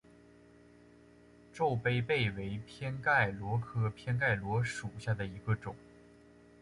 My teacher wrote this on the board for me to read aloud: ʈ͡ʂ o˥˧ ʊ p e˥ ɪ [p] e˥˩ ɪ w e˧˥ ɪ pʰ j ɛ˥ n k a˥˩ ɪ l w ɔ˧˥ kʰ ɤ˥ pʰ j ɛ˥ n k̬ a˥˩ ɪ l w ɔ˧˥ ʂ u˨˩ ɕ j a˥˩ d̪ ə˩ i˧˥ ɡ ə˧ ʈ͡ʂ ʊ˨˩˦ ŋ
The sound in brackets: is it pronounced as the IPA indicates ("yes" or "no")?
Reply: yes